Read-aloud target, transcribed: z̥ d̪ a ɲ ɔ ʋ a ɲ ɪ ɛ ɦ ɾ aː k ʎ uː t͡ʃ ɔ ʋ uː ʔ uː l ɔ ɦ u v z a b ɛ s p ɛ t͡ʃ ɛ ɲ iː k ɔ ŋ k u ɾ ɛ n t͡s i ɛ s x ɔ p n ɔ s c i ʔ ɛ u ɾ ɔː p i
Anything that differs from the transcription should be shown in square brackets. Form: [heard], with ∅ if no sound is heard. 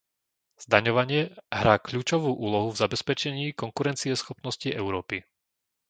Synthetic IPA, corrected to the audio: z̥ d̪ a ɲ ɔ ʋ a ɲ ɪ ɛ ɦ ɾ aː k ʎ uː t͡ʃ ɔ ʋ uː ʔ uː l ɔ ɦ u v z a b ɛ s p ɛ t͡ʃ ɛ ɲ iː k ɔ ŋ k u ɾ ɛ n t͡s i ɛ s x ɔ p n ɔ s c i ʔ ɛ [ʊ] ɾ ɔː p i